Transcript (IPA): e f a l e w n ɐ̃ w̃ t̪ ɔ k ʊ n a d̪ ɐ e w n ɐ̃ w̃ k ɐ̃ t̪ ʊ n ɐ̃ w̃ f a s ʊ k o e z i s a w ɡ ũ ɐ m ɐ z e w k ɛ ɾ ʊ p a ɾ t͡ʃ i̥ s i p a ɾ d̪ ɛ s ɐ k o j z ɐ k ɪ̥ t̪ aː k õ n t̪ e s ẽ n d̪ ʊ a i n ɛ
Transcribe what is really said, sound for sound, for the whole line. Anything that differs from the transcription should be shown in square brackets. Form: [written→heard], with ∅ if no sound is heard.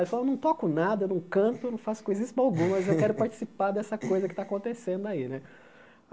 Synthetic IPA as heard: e f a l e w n ɐ̃ w̃ t̪ ɔ k ʊ n a d̪ ɐ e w n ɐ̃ w̃ k ɐ̃ t̪ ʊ n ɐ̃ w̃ f a s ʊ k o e z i s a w ɡ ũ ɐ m ɐ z e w k ɛ ɾ ʊ p a ɾ t͡ʃ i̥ s i p a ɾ d̪ ɛ s ɐ k o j z ɐ k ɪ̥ t̪ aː k õ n t̪ e s ẽ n d̪ ʊ a i n ɛ